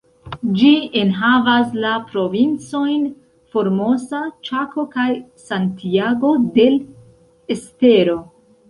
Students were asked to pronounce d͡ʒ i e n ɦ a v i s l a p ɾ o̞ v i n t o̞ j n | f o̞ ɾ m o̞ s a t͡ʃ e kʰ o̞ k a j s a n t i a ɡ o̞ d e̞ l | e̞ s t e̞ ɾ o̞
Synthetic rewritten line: d͡ʒ i e n ɦ a v a s l a p ɾ o̞ v i n t͡s o̞ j n | f o̞ ɾ m o̞ s a t͡ʃ a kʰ o̞ k a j s a n t i a ɡ o̞ d e̞ l | e̞ s t e̞ ɾ o̞